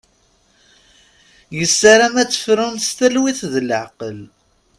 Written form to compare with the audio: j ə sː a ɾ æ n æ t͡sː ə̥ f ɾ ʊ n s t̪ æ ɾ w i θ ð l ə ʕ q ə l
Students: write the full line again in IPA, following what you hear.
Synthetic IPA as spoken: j ə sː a ɾ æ m æ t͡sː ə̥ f ɾ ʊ n s t̪ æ l w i θ ð l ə ʕ q ə l

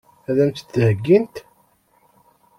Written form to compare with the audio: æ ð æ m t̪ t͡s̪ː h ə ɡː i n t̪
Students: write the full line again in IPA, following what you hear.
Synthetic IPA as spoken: æ ð æ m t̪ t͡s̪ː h ə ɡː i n t̪

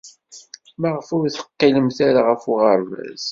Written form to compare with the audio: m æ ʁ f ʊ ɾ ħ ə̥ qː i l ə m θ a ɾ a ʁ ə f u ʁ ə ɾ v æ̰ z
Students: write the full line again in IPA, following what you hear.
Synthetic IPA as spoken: m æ ʁ f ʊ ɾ θ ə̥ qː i l ə m θ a ɾ a ʁ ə f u ʁ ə ɾ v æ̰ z

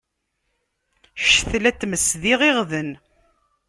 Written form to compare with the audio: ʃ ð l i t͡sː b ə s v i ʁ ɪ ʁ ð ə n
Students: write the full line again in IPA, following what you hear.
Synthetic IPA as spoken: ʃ θ l æ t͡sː m ə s ð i ʁ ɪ ʁ ð ə n

